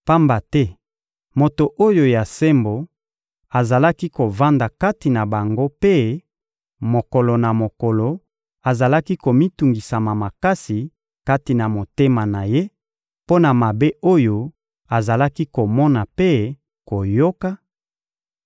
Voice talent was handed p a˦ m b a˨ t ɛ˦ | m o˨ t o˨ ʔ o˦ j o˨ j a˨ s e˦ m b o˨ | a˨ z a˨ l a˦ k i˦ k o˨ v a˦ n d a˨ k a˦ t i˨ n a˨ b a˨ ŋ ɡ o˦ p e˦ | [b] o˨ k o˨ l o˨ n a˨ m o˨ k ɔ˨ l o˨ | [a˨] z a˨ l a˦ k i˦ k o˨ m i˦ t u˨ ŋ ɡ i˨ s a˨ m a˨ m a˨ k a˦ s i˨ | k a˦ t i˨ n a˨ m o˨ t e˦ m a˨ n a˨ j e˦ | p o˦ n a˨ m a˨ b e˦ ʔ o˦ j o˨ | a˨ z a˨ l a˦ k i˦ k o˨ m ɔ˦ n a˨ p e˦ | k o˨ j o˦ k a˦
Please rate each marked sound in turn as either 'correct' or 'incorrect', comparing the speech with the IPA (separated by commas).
incorrect, correct